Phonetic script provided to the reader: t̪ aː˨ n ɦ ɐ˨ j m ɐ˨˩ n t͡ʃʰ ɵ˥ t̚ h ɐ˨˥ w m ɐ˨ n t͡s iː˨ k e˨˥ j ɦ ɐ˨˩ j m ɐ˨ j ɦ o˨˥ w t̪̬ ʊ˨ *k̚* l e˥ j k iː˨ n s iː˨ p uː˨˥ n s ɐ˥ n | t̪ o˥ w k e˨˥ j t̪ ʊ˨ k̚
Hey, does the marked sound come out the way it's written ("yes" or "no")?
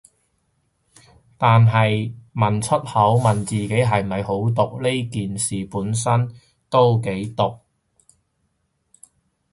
yes